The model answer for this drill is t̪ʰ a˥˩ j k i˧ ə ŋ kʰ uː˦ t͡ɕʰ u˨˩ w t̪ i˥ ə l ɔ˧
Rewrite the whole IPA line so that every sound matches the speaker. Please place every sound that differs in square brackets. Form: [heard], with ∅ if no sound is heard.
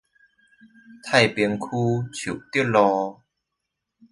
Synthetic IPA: t̪ʰ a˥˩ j [p] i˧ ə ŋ kʰ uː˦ t͡ɕʰ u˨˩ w t̪ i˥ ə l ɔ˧